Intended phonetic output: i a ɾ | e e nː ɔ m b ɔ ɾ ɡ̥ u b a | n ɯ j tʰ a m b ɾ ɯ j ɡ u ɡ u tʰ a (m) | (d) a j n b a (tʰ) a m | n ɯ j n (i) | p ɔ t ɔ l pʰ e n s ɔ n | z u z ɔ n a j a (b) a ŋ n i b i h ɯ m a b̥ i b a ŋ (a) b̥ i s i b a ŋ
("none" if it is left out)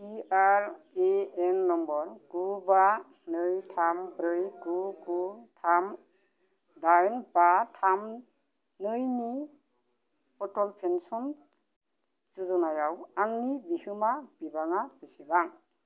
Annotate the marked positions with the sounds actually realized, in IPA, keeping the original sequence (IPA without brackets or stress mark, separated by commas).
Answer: m, d, tʰ, i, w, a